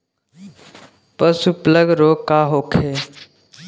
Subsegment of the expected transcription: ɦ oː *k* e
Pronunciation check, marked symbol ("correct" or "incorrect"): incorrect